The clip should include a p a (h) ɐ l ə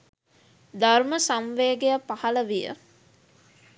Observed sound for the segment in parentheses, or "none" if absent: h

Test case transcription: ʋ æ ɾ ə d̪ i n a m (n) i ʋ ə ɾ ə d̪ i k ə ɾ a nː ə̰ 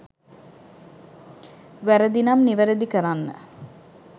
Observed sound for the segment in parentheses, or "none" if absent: n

